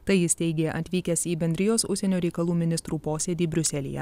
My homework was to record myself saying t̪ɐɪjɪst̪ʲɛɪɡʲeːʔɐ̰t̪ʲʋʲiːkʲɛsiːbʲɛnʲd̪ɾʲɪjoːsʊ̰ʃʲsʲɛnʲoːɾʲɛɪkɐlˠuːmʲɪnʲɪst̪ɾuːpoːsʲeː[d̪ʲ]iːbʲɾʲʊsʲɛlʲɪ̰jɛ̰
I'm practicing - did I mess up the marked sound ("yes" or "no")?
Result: no